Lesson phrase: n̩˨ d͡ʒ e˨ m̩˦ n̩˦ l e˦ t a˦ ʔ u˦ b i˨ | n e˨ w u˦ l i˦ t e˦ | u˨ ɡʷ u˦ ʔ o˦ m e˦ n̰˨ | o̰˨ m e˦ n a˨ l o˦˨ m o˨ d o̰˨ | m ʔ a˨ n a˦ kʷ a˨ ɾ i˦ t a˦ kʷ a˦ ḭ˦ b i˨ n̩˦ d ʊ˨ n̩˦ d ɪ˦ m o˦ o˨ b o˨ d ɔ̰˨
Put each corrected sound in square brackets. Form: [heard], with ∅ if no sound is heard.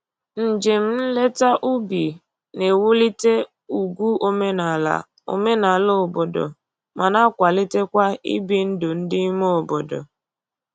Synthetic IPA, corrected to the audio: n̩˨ d͡ʒ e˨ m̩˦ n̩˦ l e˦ t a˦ ʔ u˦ b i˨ | n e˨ w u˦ l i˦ t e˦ | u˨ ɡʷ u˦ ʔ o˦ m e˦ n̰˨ | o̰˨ m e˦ n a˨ l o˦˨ [b] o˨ d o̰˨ | m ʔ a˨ n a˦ kʷ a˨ [l] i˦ t [e˦] kʷ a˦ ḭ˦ b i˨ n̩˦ d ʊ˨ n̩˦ d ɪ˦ m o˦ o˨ b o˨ d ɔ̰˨